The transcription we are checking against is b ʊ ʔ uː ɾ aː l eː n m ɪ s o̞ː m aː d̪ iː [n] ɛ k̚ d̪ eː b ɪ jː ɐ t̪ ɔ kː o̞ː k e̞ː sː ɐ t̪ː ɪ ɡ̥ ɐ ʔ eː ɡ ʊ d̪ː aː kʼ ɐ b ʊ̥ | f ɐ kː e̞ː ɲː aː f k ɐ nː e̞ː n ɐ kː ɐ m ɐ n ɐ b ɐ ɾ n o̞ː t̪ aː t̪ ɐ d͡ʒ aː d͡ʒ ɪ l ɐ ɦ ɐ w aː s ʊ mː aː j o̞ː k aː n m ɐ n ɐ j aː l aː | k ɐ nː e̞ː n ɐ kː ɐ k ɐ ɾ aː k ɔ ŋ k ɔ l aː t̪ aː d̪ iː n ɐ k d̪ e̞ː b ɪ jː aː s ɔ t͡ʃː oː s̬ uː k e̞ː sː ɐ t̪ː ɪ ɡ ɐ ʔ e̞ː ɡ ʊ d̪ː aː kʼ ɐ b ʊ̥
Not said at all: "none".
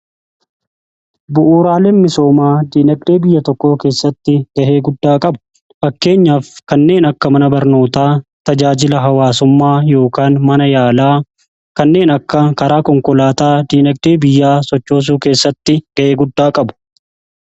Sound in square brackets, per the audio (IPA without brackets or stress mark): n